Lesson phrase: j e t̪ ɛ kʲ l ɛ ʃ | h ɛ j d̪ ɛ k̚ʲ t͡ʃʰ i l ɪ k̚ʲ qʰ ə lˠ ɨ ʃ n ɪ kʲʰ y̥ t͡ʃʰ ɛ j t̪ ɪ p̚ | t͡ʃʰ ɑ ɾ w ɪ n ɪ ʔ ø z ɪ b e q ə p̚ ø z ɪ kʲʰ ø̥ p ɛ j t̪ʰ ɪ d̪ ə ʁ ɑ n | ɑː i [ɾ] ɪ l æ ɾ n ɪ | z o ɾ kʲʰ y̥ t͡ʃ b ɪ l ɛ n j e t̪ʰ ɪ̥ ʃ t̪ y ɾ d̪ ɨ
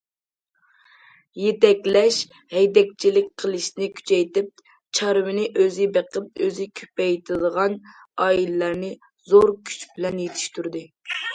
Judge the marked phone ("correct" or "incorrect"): incorrect